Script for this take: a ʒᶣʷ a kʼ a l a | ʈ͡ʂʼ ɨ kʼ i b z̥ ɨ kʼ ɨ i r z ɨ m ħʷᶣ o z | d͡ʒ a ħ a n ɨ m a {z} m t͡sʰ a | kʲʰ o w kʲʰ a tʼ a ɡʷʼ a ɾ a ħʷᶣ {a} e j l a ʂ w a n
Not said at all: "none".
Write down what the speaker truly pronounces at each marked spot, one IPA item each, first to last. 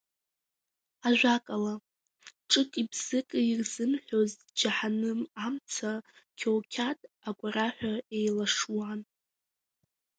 none, a

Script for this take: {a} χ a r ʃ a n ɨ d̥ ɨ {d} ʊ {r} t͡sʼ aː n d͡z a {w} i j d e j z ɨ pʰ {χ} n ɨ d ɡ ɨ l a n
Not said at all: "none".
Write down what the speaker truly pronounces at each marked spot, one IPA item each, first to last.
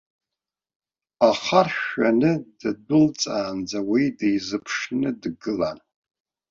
a, d, l, w, ʂ

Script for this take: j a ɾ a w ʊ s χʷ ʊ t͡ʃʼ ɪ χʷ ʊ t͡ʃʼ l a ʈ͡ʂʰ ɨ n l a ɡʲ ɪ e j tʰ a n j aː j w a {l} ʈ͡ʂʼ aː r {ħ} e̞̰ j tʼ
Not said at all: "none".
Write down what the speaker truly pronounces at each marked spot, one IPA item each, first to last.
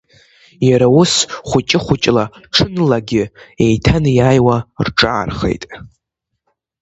r, χ

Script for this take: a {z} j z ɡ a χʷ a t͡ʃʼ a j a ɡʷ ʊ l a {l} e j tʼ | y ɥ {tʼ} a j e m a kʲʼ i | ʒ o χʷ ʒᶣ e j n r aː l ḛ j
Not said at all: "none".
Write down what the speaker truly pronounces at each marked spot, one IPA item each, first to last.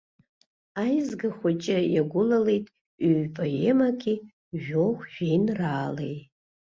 none, l, pʼ

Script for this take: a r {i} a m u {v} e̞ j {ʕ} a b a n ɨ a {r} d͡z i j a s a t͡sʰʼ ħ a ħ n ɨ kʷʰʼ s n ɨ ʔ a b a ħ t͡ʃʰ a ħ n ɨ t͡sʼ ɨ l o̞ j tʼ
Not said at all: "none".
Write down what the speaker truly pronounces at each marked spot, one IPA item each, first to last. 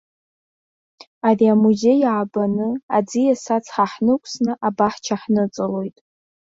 i, z, ʕ, none

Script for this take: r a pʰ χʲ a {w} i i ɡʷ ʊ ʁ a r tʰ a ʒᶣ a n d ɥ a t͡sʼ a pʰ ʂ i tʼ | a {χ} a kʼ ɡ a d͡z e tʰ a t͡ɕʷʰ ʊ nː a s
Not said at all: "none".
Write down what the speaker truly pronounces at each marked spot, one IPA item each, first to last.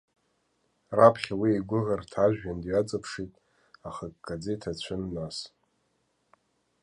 w, χ

